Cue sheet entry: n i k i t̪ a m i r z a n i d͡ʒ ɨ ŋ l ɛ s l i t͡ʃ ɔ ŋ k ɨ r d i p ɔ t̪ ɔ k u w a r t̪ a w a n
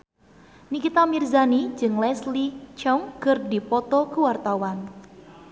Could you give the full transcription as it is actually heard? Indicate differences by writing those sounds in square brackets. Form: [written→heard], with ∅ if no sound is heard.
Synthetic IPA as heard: n i k i t̪ a m i r z a n i d͡ʒ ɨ ŋ l ɛ s l i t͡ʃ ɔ ŋ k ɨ r d i p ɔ t̪ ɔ k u w a r t̪ a w a n